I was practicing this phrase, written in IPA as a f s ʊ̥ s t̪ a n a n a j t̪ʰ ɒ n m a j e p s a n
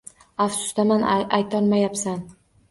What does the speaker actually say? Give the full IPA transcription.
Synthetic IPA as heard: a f s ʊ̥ s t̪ a m a n a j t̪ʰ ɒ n m a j a p s a n